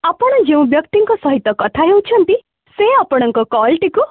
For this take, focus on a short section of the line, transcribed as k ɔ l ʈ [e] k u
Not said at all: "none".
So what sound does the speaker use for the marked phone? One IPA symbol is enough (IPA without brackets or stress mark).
i